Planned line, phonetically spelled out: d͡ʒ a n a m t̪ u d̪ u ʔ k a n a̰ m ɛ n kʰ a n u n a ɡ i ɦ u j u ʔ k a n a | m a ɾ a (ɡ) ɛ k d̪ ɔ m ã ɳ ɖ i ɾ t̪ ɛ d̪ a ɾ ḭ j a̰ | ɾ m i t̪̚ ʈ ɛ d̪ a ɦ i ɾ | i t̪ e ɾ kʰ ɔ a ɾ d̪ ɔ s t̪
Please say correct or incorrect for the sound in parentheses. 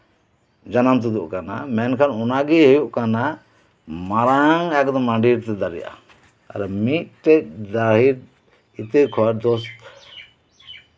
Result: incorrect